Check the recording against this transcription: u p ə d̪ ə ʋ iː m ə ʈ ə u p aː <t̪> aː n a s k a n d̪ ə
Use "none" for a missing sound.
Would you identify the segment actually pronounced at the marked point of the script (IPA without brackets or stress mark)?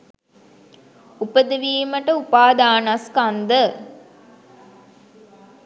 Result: d̪